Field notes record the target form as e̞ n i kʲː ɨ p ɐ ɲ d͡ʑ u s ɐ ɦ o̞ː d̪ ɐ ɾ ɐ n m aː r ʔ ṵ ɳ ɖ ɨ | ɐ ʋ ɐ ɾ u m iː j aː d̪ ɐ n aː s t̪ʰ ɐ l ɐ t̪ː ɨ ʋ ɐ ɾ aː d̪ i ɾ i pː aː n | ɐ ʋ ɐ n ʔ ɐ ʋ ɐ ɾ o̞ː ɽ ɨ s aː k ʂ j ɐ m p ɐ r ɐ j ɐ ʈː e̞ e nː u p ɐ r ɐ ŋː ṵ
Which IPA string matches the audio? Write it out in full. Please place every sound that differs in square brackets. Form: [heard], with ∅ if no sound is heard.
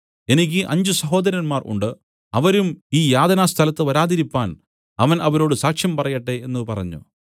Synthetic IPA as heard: e̞ n i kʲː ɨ [ʔ] ɐ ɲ d͡ʑ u s ɐ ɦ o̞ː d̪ ɐ ɾ ɐ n m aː r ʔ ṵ ɳ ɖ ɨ | ɐ ʋ ɐ ɾ u m iː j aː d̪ ɐ n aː s t̪ʰ ɐ l ɐ t̪ː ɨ ʋ ɐ ɾ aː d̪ i ɾ i pː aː n | ɐ ʋ ɐ n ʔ ɐ ʋ ɐ ɾ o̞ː ɽ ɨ s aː k ʂ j ɐ m p ɐ r ɐ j ɐ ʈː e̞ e nː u p ɐ r ɐ [ɲː] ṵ